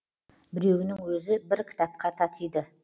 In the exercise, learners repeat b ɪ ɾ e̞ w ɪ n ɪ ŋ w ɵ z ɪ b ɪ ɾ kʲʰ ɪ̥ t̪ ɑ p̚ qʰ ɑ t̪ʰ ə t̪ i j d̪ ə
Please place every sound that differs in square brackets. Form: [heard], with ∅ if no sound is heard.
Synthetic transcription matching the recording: b ɪ ɾ e̞ w ɪ n ɪ ŋ w ɵ z ɪ b ɪ ɾ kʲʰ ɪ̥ t̪ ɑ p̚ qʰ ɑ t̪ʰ [ɑ] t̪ i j d̪ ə